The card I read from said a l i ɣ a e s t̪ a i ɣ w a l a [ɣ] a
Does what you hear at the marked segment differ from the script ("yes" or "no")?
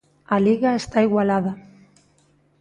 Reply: yes